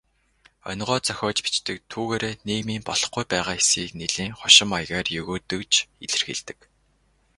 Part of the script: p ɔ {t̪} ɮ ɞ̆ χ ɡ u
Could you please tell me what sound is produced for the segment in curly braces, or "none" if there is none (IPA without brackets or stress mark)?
none